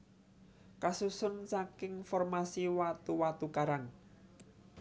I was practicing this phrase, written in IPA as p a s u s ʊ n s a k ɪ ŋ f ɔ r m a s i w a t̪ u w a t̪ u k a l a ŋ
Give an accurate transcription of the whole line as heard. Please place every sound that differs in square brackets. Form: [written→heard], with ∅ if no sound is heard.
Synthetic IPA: [p→k] a s u s ʊ n s a k ɪ ŋ f ɔ r m a s i w a t̪ u w a t̪ u k a [l→ɾ] a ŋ

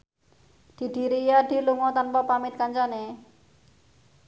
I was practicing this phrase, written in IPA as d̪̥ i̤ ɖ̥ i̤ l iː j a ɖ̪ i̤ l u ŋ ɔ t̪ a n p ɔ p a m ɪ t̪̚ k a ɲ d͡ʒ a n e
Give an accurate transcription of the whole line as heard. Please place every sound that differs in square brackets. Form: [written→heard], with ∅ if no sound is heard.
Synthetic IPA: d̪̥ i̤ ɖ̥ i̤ [l→ɾ] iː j a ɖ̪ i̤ l u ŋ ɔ t̪ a n p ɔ p a m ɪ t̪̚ k a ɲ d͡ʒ a n e

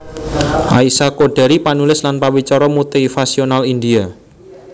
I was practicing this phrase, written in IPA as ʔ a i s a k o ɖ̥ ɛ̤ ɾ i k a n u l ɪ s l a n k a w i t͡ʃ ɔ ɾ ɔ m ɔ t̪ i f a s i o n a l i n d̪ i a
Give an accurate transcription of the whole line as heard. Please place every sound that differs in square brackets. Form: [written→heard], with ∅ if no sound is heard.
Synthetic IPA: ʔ a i s a k o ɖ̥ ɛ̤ ɾ i [k→p] a n u l ɪ s l a n [k→p] a w i t͡ʃ ɔ ɾ ɔ m [ɔ→u] t̪ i f a s i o n a l i n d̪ i a

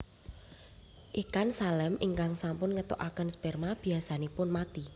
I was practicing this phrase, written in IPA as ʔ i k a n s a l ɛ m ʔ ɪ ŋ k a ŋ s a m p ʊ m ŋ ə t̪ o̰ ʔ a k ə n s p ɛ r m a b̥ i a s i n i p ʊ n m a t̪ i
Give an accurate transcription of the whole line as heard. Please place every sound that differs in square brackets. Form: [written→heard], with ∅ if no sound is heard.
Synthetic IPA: ʔ i k a n s a l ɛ m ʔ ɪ ŋ k a ŋ s a m p ʊ [m→n] ŋ ə t̪ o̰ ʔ a k ə n s p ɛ r m a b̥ i a s [i→a] n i p ʊ n m a t̪ i

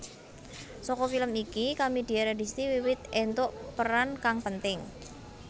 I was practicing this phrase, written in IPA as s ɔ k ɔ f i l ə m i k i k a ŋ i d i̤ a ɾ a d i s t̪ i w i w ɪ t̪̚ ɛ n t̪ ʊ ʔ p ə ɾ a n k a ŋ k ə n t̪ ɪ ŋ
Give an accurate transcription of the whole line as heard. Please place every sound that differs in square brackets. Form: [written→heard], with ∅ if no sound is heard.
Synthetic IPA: s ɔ k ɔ f i l ə m i k i k a [ŋ→m] i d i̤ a ɾ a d i s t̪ i w i w ɪ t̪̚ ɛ n t̪ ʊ ʔ p ə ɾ a n k a ŋ [k→p] ə n t̪ ɪ ŋ

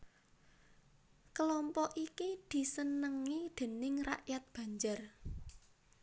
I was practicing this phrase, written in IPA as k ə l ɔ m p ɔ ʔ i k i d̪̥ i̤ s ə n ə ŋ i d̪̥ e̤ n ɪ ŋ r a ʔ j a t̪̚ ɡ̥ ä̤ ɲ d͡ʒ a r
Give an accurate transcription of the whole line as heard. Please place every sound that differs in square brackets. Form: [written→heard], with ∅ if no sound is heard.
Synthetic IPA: k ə l ɔ m p ɔ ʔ i k i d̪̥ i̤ s ə n ə ŋ i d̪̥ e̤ n ɪ ŋ r a ʔ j a t̪̚ [ɡ̥→b̥] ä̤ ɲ d͡ʒ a r

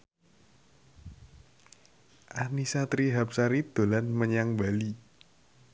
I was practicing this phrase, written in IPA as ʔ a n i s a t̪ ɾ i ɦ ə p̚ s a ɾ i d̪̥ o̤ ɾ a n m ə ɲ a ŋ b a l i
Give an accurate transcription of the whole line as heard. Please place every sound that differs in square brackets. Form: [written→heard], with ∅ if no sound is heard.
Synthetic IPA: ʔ a n i s a t̪ ɾ i ɦ [ə→a] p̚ s a ɾ i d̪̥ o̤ [ɾ→l] a n m ə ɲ a ŋ b a l i

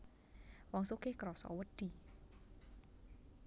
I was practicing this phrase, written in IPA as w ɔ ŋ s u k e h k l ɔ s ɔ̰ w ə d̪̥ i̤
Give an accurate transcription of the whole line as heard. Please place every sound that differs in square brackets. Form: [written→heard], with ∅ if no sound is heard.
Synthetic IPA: w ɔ ŋ s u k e h k [l→ɾ] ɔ s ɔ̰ w ə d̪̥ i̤

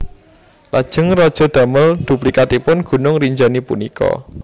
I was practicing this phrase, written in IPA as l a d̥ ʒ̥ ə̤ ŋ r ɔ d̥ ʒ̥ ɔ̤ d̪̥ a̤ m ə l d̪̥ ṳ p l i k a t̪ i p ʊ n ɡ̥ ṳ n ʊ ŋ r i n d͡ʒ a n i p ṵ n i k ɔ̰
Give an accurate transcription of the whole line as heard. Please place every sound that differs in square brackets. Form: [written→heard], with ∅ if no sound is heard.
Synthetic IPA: l a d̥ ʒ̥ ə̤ ŋ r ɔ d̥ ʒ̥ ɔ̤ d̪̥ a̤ m ə l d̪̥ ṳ p l i k a t̪ i p ʊ n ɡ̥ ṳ n ʊ ŋ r i [n→ɲ] d͡ʒ a n i p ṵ n i k ɔ̰

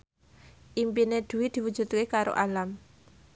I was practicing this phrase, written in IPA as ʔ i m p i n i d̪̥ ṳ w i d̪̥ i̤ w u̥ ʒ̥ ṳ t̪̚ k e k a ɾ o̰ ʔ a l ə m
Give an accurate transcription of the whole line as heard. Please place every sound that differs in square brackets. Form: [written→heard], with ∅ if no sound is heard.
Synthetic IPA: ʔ i m p i n [i→e] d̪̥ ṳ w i d̪̥ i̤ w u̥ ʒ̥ ṳ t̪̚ k e k a ɾ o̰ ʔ a l [ə→a] m

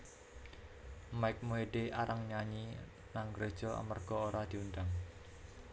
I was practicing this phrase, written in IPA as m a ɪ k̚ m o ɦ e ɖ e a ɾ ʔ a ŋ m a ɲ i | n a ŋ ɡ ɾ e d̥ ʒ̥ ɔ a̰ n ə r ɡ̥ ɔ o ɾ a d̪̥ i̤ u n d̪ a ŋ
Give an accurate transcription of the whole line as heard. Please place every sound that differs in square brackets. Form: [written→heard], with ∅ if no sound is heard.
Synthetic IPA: m a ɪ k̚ m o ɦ e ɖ e a ɾ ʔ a ŋ [m→ɲ] a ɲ i | n a ŋ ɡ ɾ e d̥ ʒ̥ ɔ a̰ [n→m] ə r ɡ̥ ɔ o ɾ a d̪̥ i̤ u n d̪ a ŋ

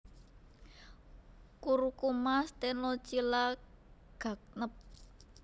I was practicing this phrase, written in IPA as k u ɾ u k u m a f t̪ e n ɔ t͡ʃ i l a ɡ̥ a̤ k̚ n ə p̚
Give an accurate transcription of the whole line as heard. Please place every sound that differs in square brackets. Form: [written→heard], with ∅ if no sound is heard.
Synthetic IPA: k u ɾ u k u m a [f→s] t̪ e n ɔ t͡ʃ i l a ɡ̥ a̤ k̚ n ə p̚

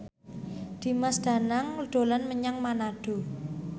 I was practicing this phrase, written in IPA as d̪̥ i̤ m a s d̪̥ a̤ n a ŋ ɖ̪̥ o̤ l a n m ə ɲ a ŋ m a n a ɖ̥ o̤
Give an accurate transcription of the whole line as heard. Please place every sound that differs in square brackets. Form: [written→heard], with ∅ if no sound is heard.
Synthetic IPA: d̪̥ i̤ m a s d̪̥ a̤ n a ŋ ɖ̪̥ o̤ l a n m ə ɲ a ŋ m a n a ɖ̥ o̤

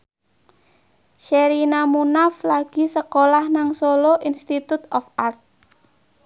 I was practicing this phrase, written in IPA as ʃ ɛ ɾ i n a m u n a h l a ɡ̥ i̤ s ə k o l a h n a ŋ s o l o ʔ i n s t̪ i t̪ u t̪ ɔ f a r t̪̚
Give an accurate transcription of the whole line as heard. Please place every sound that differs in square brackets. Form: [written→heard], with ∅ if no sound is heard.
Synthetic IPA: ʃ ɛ ɾ i n a m u n a [h→f] l a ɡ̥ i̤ s ə k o l a h n a ŋ s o l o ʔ i n s t̪ i t̪ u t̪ ɔ f a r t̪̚

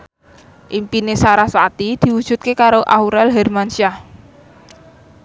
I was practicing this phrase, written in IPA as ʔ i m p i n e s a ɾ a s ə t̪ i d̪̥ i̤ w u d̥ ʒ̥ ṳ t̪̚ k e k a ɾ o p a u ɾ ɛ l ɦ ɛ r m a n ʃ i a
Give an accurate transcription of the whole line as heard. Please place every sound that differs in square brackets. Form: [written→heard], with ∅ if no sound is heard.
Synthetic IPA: ʔ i m p i n e s a ɾ a s [ə→a] t̪ i d̪̥ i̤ w u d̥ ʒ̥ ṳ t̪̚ k e k a ɾ o [p→ʔ] a u ɾ ɛ l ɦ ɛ r m a n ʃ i a

